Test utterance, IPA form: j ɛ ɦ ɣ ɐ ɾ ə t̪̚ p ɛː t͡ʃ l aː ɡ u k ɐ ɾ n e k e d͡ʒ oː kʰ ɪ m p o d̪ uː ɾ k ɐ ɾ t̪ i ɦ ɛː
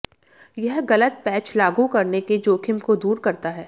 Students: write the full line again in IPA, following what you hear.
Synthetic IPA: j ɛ ɦ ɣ ɐ l ə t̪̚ p ɛː t͡ʃ l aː ɡ u k ɐ ɾ n e k e d͡ʒ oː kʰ ɪ m k o d̪ uː ɾ k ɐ ɾ t̪ a ɦ ɛː

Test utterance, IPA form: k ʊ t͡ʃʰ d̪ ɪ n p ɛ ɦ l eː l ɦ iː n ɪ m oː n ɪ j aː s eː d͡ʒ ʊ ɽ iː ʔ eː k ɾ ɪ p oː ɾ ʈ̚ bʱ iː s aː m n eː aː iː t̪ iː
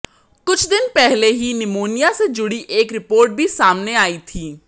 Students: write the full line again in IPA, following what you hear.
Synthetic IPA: k ʊ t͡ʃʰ d̪ ɪ n p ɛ ɦ l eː ɦ iː n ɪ m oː n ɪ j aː s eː d͡ʒ ʊ ɽ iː ʔ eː k ɾ ɪ p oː ɾ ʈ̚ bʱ iː s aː m n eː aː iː t̪ʰ iː

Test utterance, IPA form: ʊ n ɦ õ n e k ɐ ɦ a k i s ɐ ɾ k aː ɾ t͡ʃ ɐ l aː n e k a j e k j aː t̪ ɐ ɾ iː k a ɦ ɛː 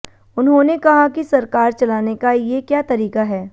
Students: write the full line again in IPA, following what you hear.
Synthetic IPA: ʊ n ɦ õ n e k ɐ ɦ a k i s ɐ ɾ k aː ɾ t͡ʃ ɐ l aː n e k a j e k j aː t̪ ɐ ɾ iː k a ɦ ɛː

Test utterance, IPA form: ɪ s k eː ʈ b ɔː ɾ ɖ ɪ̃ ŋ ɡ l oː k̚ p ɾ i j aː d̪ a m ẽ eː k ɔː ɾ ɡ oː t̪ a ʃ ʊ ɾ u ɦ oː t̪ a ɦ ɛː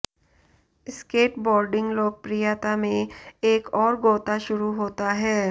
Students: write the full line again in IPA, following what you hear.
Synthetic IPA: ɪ s k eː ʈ b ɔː ɾ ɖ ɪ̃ ŋ ɡ l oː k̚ p ɾ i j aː t̪ a m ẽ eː k ɔː ɾ ɡ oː t̪ a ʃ ʊ ɾ u ɦ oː t̪ a ɦ ɛː

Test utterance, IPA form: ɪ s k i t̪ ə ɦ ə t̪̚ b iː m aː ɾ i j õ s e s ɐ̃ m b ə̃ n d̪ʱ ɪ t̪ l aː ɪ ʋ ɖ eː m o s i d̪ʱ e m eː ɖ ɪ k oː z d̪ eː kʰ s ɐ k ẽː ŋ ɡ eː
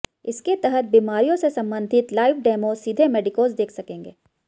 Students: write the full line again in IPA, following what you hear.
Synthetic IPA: ɪ s k e t̪ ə ɦ ə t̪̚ b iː m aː ɾ i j õ s e s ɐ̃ m b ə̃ n d̪ʱ ɪ t̪ l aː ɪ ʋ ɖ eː m o s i d̪ʱ e m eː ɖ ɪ k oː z d̪ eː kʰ s ɐ k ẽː ŋ ɡ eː

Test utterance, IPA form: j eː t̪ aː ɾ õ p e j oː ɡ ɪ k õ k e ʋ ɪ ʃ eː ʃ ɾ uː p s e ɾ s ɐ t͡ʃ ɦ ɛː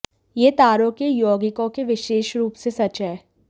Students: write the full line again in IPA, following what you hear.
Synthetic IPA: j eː t̪ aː ɾ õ k e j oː ɡ ɪ k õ k e ʋ ɪ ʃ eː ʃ ɾ uː p s e s ɐ t͡ʃ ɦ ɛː

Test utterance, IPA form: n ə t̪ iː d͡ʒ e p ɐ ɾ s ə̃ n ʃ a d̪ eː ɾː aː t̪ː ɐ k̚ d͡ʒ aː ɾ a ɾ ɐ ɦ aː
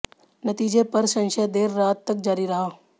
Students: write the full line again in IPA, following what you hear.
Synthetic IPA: n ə t̪ iː d͡ʒ e p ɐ ɾ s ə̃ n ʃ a d̪ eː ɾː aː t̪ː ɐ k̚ d͡ʒ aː ɾ i ɾ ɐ ɦ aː

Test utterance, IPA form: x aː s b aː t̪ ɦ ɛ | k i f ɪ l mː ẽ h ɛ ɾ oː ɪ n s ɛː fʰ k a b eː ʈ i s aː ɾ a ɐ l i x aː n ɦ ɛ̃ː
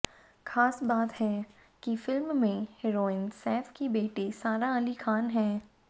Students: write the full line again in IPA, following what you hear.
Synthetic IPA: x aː s b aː t̪ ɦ ɛ | k i f ɪ l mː ẽ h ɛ ɾ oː ɪ n s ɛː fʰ k i b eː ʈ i s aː ɾ a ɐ l i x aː n ɦ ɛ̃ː

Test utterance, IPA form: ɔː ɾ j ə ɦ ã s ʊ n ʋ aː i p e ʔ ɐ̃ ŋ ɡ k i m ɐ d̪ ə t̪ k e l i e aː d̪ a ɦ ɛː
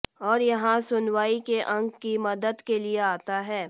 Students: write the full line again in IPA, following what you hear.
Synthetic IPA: ɔː ɾ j ɐ ɦ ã s ʊ n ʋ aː i k e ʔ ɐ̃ ŋ ɡ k i m ɐ d̪ ə d̪ k e l i e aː t̪ a ɦ ɛː

